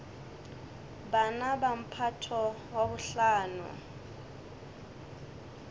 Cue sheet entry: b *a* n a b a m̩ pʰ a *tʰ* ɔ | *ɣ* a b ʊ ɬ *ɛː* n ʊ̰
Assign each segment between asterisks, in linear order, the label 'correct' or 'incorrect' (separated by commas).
correct, correct, incorrect, incorrect